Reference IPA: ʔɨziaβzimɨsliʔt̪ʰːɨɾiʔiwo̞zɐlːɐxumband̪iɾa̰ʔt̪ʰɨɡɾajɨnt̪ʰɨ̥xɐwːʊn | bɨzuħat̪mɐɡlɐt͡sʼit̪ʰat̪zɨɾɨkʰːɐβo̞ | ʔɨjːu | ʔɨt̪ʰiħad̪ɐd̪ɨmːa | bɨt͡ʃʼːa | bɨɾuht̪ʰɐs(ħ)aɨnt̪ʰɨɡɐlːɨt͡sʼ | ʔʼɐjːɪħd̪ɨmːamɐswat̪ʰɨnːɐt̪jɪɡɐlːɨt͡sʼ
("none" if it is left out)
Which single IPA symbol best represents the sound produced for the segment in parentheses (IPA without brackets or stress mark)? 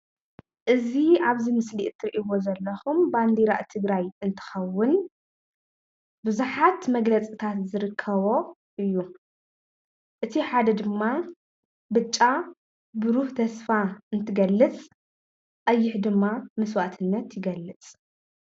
f